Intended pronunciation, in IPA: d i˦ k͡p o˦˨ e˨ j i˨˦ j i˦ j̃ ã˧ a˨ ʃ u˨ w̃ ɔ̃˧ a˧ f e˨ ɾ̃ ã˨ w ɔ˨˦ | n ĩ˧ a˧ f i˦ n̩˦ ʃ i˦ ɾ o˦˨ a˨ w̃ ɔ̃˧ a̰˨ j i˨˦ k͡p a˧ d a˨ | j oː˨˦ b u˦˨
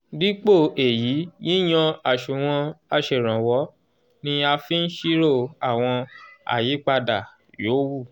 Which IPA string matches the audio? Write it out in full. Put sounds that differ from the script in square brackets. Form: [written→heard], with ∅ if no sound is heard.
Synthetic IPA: d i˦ k͡p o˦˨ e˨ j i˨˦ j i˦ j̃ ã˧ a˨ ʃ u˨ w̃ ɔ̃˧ a˧ [f→ʃ] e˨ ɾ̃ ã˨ w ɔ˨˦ | n ĩ˧ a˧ f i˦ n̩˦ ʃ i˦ ɾ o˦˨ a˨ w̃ ɔ̃˧ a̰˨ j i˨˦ k͡p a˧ d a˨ | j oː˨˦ [b→w] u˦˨